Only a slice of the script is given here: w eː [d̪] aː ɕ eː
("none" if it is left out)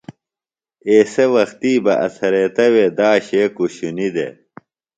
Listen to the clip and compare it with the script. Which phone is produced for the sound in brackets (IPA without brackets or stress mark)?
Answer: d̪